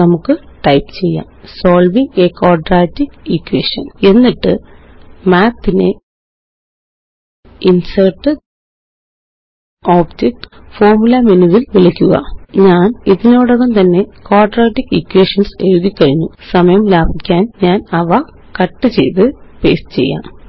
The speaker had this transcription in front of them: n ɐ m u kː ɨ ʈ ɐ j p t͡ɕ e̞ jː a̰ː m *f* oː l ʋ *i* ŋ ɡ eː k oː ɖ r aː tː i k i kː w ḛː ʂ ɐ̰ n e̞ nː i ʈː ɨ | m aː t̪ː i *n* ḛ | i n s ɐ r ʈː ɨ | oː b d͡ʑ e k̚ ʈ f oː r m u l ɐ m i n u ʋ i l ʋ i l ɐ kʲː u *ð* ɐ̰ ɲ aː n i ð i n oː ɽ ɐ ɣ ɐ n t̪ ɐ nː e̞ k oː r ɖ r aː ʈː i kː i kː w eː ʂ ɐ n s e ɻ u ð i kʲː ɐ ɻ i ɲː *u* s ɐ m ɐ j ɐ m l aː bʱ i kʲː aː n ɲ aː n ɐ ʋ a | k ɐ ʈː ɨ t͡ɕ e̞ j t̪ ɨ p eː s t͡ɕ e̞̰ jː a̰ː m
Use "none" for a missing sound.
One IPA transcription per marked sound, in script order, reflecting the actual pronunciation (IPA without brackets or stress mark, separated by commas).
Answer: s, i, n, ɣ, u